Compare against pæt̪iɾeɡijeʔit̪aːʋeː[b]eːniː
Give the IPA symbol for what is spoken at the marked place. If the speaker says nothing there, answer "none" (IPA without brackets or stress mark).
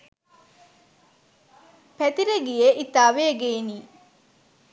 ɡ